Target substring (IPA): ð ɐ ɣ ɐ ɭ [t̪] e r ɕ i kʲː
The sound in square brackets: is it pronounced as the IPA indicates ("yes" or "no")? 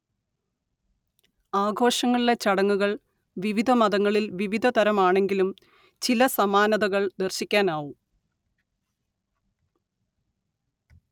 no